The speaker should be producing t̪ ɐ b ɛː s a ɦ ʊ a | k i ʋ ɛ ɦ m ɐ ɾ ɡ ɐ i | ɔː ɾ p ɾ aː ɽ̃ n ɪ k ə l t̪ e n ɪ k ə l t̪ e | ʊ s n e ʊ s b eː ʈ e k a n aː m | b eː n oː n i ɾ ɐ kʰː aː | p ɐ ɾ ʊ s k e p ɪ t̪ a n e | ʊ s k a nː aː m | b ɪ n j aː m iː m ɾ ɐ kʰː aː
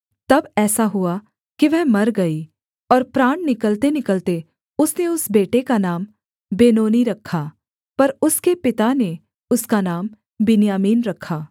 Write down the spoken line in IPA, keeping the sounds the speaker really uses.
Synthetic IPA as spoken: t̪ ɐ b ɛː s a ɦ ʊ a | k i ʋ ɛ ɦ m ɐ ɾ ɡ ɐ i | ɔː ɾ p ɾ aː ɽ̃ n ɪ k ə l t̪ e n ɪ k ə l t̪ e | ʊ s n e ʊ s b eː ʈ e k a n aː m | b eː n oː n i ɾ ɐ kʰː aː | p ɐ ɾ ʊ s k e p ɪ t̪ a n e | ʊ s k a n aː m | b ɪ n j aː m iː n ɾ ɐ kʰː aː